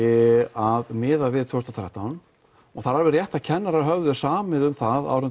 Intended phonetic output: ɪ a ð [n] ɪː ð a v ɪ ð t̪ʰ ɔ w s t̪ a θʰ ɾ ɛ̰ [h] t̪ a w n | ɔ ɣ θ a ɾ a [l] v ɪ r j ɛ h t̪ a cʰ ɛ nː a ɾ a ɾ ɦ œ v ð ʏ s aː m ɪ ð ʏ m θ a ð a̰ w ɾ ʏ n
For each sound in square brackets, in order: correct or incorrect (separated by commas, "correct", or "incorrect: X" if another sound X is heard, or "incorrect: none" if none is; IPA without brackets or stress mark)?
incorrect: m, correct, incorrect: ɾ